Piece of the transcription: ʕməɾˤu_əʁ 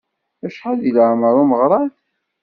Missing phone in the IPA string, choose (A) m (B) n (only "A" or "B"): A